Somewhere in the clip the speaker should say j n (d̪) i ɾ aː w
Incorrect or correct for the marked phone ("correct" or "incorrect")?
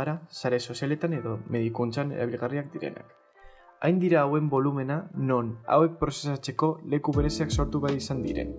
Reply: correct